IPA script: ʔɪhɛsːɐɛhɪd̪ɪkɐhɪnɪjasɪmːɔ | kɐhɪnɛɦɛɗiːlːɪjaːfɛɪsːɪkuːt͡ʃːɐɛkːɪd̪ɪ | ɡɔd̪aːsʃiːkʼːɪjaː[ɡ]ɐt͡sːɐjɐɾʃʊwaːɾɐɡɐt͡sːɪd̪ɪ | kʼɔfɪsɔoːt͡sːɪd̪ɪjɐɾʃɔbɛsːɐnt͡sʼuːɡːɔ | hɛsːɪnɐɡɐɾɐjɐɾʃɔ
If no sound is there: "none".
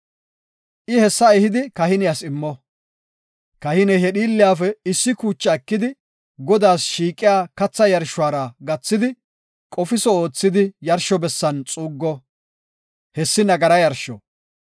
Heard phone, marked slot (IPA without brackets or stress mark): k